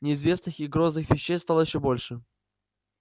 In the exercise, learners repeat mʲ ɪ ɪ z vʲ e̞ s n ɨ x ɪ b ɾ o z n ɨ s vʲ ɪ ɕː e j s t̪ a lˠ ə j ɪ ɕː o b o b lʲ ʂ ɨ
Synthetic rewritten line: nʲ ɪ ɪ z vʲ e̞ s n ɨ x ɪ ɡ ɾ o z n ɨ x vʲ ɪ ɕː e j s t̪ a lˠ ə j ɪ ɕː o b o lʲ ʂ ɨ